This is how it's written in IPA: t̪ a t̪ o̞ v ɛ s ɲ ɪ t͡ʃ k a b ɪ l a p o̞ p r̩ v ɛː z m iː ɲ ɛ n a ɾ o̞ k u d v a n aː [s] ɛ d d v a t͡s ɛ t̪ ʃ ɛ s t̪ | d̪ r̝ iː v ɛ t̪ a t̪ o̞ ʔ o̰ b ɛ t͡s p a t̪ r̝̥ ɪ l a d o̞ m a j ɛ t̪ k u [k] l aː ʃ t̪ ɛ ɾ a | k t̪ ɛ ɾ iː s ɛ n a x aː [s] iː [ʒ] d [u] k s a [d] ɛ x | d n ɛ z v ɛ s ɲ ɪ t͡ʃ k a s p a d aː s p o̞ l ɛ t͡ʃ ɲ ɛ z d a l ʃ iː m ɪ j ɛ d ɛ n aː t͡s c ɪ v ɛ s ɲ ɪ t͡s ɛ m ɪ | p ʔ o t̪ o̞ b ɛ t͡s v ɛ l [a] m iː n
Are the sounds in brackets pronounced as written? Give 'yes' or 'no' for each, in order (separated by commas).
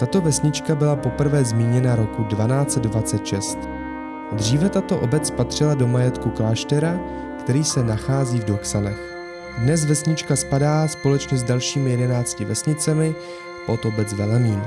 no, yes, no, no, no, no, no